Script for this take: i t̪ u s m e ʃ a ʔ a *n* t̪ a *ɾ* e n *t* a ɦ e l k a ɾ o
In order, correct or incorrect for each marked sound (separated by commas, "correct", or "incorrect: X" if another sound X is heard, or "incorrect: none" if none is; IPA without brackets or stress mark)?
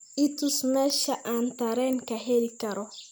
correct, correct, incorrect: k